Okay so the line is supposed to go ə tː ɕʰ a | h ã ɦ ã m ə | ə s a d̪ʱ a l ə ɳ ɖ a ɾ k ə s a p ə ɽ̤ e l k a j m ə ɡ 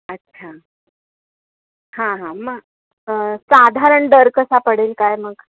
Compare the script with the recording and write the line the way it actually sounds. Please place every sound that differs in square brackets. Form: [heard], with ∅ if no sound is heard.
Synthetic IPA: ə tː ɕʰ a | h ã ɦ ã m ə | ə s a d̪ʱ a [ɾ] ə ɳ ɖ [ə] ɾ k ə s a p ə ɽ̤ e l k a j m ə ɡ